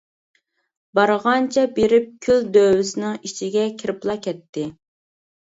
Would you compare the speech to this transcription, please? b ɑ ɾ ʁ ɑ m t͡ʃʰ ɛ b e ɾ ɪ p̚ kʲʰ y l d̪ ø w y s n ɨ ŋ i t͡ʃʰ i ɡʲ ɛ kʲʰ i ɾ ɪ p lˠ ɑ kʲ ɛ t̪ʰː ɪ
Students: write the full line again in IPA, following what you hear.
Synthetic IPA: b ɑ ɾ ʁ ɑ n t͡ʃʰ ɛ b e ɾ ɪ p̚ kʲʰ y l d̪ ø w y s n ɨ ŋ i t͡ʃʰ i ɡʲ ɛ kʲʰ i ɾ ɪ p lˠ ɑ kʲ ɛ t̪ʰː ɪ